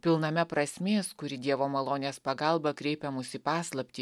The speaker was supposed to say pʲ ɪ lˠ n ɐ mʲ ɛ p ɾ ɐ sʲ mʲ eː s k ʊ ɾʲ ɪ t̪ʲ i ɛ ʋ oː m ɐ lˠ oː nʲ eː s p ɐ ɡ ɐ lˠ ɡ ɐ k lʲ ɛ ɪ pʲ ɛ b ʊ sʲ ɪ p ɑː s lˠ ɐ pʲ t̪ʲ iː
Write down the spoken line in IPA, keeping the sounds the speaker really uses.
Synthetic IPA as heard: pʲ ɪ lˠ n ɐ mʲ ɛ p ɾ ɐ sʲ mʲ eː s k ʊ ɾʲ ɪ d̪ʲ i ɛ ʋ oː m ɐ lˠ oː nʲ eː s p ɐ ɡ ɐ lˠ b ɐ k ɾʲ ɛ ɪ pʲ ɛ m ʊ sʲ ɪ p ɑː s lˠ ɐ pʲ t̪ʲ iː